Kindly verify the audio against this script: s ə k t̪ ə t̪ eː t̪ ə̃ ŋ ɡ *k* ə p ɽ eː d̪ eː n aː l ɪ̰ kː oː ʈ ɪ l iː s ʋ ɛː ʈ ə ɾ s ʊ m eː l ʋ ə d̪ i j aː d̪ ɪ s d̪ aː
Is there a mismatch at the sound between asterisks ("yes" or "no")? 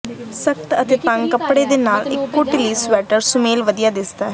no